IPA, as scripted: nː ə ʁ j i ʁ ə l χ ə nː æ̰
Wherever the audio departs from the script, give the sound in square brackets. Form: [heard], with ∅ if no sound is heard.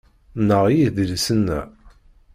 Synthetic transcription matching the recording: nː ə ʁ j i [ð] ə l [s] ə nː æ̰